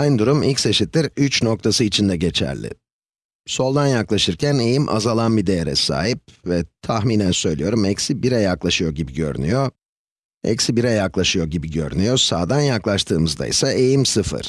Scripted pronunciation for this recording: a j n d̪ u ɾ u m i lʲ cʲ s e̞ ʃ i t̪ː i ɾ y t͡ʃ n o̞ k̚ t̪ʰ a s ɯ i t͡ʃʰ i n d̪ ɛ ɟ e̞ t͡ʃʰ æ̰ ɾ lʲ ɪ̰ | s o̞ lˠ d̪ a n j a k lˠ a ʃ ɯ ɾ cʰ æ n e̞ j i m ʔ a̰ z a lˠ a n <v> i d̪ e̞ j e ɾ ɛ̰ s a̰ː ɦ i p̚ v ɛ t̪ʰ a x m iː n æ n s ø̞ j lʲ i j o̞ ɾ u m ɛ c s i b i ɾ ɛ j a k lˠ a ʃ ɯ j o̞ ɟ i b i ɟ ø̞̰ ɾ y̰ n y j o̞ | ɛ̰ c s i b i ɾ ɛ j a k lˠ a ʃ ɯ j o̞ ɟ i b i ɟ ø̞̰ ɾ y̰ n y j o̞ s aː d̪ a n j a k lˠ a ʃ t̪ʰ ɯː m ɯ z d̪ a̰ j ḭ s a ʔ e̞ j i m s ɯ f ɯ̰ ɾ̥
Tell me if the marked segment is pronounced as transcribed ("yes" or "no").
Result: no